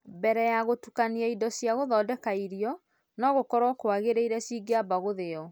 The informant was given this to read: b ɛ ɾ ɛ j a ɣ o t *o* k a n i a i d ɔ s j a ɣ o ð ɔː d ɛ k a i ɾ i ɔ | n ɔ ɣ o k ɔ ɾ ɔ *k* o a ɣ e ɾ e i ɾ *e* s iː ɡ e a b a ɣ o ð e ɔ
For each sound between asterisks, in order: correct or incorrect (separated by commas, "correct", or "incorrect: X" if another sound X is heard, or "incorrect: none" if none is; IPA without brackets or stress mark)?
incorrect: u, correct, incorrect: ɛ